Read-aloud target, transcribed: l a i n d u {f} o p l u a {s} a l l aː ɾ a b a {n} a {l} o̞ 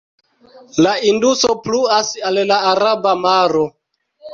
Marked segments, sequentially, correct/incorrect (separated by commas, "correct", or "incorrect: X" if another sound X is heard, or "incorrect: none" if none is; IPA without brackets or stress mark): incorrect: s, correct, incorrect: m, incorrect: ɾ